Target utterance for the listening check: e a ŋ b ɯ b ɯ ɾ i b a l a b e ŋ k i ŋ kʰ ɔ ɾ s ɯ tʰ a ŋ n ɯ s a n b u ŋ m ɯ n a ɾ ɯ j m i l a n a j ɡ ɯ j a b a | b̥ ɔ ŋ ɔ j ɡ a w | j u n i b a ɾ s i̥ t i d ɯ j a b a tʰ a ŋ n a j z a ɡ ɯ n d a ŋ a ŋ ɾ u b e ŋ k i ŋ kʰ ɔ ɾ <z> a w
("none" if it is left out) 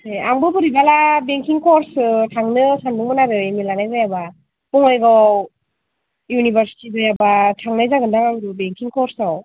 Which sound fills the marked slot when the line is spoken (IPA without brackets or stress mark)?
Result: s